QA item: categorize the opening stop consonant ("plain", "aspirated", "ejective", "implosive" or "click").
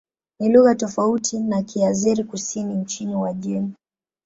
plain